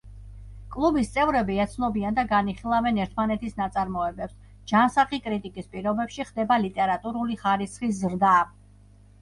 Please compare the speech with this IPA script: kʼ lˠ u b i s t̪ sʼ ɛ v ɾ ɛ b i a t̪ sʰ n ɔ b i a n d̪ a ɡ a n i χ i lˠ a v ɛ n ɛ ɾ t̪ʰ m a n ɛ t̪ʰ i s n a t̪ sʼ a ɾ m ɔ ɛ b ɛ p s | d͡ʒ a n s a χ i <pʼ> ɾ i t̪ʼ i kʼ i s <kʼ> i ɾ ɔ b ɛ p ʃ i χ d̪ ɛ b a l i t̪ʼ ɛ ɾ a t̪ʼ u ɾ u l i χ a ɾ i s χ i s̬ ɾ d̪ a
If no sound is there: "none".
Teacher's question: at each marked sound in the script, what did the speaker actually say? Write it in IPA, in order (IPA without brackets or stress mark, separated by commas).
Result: kʼ, pʼ